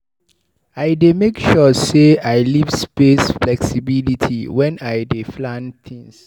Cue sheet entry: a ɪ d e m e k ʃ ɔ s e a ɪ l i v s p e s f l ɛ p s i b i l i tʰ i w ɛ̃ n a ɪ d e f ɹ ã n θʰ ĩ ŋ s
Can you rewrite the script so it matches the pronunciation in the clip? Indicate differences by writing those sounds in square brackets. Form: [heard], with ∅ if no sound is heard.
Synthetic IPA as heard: a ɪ d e m e k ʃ ɔ s e a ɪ l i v s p e s f l ɛ [k] s i b i l i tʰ i w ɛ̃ n a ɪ d e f [l] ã n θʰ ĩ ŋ s